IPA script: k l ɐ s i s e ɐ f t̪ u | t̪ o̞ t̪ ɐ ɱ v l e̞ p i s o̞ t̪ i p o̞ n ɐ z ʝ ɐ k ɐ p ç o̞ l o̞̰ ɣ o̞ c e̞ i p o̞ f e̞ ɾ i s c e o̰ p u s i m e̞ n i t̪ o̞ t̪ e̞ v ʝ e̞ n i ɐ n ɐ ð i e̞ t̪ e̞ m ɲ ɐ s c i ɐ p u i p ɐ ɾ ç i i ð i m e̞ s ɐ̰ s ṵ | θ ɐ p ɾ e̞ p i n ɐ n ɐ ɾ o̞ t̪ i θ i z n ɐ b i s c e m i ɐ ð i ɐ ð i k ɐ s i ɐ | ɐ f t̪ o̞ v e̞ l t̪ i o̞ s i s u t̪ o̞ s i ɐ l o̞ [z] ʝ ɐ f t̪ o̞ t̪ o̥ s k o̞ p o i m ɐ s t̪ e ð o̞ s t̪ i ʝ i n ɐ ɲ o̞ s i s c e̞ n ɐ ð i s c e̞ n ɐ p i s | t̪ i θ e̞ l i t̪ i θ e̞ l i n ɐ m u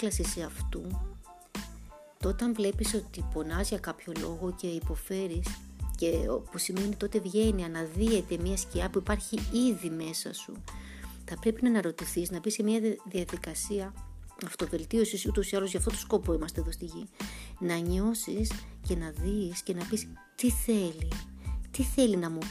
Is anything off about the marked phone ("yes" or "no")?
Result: no